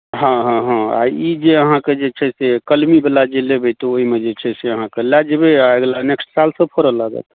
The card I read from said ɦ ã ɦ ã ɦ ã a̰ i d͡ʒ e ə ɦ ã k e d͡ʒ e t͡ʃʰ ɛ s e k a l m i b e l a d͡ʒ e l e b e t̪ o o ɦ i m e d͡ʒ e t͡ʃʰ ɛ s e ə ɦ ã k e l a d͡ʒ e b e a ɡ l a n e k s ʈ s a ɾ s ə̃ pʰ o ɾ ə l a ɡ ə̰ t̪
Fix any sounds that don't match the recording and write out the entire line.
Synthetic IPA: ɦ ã ɦ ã ɦ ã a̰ i d͡ʒ e ə ɦ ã k e d͡ʒ e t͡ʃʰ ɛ s e k ə l m i b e l a d͡ʒ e l e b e t̪ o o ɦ i m e d͡ʒ e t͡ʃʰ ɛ s e ə ɦ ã k e l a d͡ʒ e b e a ɡ l a n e k s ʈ s a l s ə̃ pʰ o ɾ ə l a ɡ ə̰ t̪